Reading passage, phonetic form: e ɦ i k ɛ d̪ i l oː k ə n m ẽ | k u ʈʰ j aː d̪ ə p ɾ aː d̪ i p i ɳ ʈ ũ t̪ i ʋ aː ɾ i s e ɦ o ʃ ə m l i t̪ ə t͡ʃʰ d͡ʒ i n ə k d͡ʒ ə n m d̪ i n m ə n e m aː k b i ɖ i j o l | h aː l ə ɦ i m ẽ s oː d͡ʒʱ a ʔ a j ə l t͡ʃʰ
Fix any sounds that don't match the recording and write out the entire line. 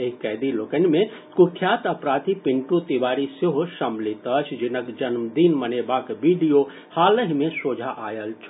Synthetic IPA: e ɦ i k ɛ d̪ i l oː k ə n m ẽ | k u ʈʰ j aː t̪ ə p ɾ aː t̪ i p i ɳ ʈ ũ t̪ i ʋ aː ɾ i s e ɦ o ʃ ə m l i t̪ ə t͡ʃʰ d͡ʒ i n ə k d͡ʒ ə n m d̪ i n m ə n e b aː k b i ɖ i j o | h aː l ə ɦ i m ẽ s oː d͡ʒʱ a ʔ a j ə l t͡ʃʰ

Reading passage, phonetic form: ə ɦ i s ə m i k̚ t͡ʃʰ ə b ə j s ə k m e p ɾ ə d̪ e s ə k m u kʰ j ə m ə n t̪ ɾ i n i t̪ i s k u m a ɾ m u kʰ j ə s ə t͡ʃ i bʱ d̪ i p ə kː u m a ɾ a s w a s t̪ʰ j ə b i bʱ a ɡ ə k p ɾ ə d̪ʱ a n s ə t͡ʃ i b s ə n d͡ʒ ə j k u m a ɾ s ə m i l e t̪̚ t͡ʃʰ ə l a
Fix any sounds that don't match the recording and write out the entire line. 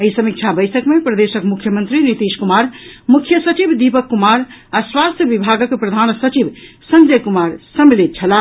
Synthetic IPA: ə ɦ i s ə m i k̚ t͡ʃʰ a b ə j s ə k m e p ɾ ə d̪ e s ə k m u kʰ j ə m ə n t̪ ɾ i n i t̪ i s k u m a ɾ m u kʰ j ə s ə t͡ʃ i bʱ d̪ i p ə kː u m a ɾ a s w a s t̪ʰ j ə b i bʱ a ɡ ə k p ɾ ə d̪ʱ a n s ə t͡ʃ i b s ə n d͡ʒ ə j k u m a ɾ s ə m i l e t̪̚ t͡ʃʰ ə l a

